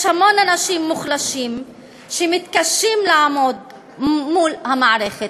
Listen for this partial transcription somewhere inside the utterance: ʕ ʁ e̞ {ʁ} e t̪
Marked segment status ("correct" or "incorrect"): incorrect